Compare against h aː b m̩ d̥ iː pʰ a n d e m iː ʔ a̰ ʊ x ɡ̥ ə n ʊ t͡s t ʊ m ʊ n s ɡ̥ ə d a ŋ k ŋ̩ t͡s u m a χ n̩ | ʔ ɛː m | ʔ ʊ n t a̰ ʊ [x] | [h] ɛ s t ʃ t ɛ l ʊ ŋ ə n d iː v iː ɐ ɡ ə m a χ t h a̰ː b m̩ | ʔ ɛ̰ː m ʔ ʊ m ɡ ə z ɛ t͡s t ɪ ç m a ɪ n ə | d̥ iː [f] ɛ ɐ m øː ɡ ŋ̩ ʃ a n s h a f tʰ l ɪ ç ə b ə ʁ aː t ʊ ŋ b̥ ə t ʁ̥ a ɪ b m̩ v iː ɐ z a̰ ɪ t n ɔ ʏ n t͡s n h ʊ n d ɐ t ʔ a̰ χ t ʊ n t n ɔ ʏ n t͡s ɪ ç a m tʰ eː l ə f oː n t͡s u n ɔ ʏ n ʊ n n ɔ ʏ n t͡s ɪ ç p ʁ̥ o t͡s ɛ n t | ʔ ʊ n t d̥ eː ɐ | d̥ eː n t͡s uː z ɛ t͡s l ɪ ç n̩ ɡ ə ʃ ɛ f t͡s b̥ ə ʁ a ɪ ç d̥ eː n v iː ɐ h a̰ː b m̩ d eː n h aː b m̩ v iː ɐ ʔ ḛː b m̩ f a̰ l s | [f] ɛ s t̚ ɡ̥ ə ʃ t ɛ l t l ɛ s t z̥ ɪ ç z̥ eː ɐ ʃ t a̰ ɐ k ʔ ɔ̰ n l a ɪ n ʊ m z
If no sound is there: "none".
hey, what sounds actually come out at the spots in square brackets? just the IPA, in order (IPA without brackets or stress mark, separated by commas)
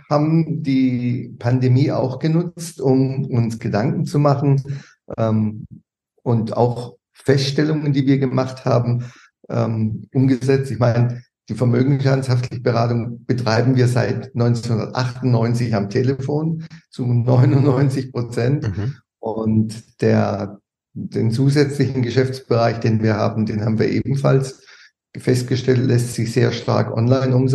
x, f, f, f